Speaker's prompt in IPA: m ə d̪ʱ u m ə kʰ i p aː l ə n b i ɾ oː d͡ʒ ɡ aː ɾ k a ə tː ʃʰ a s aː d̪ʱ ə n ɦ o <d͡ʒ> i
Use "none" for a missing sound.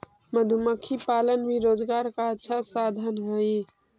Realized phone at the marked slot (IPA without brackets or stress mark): none